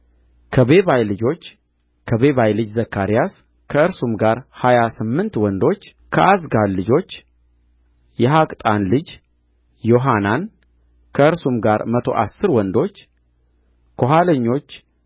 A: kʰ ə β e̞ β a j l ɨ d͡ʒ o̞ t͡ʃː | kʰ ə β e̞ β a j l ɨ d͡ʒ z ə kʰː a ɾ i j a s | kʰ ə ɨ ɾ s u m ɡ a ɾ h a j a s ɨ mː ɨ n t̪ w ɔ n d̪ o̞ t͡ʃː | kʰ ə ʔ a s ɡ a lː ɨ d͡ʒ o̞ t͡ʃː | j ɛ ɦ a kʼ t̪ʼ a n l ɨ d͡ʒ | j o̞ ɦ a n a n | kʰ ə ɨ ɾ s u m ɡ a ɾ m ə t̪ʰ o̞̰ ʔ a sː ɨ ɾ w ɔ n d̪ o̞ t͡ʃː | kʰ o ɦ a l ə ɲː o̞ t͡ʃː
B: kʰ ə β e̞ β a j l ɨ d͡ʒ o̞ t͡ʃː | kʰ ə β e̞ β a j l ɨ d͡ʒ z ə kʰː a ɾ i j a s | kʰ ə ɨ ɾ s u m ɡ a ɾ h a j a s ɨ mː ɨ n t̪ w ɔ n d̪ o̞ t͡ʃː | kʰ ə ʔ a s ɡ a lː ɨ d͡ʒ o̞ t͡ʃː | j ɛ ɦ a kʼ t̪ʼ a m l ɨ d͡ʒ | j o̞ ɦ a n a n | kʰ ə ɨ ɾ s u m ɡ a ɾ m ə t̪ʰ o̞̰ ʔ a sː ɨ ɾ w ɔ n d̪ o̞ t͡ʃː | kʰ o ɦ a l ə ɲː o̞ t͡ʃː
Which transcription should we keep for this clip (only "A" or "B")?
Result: A